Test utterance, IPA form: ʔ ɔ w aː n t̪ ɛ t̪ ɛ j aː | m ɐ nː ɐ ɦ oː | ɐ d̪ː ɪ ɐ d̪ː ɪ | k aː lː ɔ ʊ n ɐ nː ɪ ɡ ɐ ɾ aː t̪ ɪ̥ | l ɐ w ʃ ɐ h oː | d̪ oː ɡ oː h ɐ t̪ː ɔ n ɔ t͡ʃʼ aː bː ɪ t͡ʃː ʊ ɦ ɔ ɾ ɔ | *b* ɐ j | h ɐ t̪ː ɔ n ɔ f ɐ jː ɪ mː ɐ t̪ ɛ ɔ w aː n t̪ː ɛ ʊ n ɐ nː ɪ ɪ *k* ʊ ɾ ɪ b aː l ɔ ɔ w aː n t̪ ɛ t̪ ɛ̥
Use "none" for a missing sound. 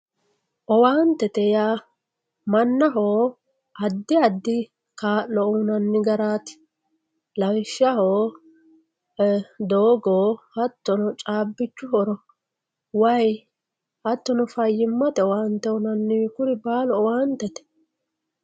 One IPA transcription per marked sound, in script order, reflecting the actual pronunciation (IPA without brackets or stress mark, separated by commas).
w, k